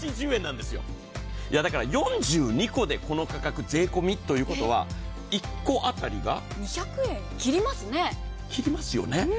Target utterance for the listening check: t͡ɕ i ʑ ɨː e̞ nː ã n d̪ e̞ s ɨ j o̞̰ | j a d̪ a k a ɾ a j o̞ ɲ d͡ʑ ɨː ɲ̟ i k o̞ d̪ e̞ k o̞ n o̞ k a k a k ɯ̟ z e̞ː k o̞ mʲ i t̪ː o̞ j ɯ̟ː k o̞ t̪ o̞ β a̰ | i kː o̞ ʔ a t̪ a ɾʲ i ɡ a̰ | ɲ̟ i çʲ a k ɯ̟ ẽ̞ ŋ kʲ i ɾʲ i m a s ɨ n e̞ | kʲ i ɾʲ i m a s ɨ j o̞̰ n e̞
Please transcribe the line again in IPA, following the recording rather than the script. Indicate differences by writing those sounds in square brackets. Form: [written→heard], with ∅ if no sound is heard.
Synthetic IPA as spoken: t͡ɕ i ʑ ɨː [e̞→ẽ̞] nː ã n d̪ e̞ s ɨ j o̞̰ | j a d̪ a k a ɾ a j [o̞→õ̞] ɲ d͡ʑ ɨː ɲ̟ i k o̞ d̪ e̞ k o̞ n o̞ k a k a k ɯ̟ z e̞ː k o̞ mʲ i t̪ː o̞ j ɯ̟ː k o̞ t̪ o̞ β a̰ | i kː o̞ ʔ a t̪ a ɾʲ i ɡ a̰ | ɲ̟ i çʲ a k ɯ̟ ẽ̞ ŋ kʲ i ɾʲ i m a s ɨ n e̞ | kʲ i ɾʲ i m a s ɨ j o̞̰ n e̞